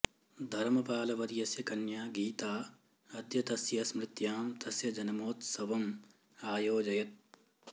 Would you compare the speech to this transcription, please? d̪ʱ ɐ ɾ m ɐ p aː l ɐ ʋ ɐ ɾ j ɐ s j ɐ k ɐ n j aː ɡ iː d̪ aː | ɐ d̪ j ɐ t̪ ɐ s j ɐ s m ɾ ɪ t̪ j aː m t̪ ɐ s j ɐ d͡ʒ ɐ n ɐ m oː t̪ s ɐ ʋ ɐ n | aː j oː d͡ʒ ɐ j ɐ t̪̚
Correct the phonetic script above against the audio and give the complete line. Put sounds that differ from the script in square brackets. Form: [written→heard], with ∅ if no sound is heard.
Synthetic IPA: d̪ʱ ɐ ɾ m ɐ p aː l ɐ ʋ ɐ ɾ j ɐ s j ɐ k ɐ n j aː ɡ iː [d̪→t̪] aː | ɐ d̪ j ɐ t̪ ɐ s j ɐ s m ɾ ɪ t̪ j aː m t̪ ɐ s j ɐ d͡ʒ ɐ n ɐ m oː t̪ s ɐ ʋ ɐ [n→m] | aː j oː d͡ʒ ɐ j ɐ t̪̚